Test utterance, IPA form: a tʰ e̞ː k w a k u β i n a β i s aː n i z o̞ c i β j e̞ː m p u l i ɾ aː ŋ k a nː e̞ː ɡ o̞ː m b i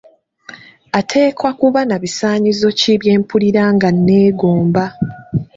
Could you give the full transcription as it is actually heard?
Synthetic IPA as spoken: a tʰ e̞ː k w a k u β a n a β i s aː ɲ i z o̞ c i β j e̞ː m p u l i ɾ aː ŋ ɡ a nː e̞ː ɡ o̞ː m b a